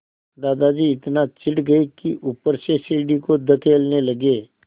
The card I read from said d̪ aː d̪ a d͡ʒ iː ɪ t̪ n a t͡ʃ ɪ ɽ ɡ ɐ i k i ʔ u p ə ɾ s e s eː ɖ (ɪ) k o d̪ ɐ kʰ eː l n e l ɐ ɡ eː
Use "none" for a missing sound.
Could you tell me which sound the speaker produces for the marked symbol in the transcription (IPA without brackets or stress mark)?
i